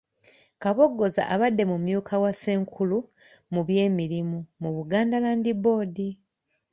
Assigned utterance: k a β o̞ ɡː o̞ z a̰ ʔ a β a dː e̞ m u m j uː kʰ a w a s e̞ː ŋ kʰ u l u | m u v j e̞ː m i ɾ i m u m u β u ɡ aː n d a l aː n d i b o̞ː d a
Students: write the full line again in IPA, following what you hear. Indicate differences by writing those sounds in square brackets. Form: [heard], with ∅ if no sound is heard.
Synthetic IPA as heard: k a β o̞ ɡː o̞ z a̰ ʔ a β a dː e̞ m u m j uː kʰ a w a s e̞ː ŋ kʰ u l u | m u [β] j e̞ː m i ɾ i m u m u β u ɡ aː n d a l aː n d i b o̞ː d [i]